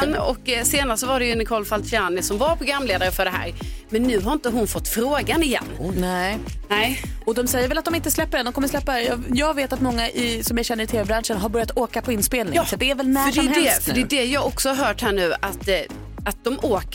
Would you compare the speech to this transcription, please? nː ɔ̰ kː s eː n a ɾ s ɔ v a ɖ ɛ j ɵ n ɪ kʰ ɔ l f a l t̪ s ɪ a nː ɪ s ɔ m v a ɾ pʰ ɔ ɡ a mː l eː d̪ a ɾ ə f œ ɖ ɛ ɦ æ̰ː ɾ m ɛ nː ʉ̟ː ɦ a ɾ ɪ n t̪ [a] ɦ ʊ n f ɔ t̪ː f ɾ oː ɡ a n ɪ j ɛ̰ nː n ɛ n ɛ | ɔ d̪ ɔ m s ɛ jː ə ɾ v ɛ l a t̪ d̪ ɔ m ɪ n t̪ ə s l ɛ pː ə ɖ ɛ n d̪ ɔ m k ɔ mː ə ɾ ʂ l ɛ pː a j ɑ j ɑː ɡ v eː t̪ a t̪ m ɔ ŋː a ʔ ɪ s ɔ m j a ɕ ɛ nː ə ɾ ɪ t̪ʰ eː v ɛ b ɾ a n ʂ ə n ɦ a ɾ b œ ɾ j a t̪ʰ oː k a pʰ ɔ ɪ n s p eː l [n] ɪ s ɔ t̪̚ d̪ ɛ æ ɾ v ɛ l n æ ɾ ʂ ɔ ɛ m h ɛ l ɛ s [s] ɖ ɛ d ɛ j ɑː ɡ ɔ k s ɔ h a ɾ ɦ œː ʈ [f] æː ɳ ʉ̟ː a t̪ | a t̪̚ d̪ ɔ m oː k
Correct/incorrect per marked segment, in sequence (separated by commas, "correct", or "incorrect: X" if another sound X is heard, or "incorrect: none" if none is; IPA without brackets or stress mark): incorrect: ə, correct, incorrect: f, incorrect: h